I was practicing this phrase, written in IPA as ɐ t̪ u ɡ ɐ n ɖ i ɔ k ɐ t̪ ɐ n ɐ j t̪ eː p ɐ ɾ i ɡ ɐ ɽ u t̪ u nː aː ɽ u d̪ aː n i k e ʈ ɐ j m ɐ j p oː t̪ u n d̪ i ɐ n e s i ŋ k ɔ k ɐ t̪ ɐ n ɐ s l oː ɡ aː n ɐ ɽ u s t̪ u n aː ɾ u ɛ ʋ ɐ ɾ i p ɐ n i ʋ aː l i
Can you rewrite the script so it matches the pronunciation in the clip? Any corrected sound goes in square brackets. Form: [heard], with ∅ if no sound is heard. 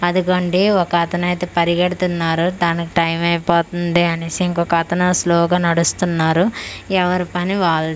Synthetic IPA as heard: ɐ [d̪] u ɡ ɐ [ɳ] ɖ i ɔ k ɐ t̪ ɐ n ɐ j t̪ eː p ɐ ɾ i ɡ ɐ ɽ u t̪ u nː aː [ɾ] u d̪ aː n i k [i] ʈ ɐ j m ɐ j p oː t̪ u n d̪ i ɐ n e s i ŋ k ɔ k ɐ t̪ ɐ n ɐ s l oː ɡ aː n ɐ ɽ u s t̪ u [nː] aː ɾ u ɛ ʋ ɐ ɾ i p ɐ n i ʋ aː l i